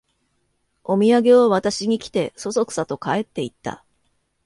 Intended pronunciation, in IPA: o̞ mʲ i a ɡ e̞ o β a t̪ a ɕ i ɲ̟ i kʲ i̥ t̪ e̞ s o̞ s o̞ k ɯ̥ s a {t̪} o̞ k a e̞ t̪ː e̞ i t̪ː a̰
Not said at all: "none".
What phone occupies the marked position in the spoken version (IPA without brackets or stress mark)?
t̪